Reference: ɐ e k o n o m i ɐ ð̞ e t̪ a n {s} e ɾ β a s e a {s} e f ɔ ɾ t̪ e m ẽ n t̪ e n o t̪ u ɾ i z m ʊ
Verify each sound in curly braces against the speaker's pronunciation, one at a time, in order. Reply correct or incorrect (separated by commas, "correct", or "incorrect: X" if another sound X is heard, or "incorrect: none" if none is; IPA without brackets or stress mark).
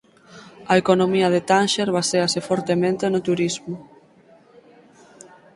incorrect: ʃ, correct